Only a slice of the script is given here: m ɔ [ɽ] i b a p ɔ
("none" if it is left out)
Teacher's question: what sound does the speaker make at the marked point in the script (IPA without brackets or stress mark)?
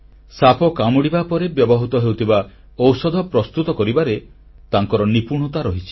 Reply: ɽ